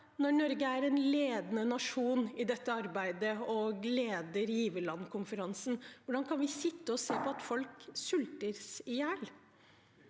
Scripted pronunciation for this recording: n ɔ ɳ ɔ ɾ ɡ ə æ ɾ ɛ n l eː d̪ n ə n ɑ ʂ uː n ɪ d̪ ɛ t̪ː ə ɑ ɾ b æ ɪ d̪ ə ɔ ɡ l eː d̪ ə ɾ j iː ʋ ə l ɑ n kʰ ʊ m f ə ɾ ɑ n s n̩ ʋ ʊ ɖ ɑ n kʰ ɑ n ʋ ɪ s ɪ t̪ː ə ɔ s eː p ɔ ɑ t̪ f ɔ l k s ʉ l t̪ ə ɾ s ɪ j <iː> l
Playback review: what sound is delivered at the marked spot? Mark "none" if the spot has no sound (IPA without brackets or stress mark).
æː